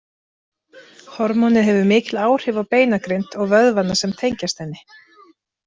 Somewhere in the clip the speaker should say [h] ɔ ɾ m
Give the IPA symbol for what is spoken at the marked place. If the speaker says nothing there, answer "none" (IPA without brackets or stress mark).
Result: h